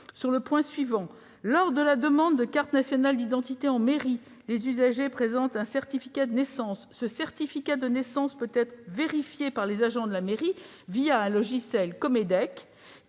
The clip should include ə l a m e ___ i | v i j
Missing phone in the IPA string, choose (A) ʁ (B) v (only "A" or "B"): A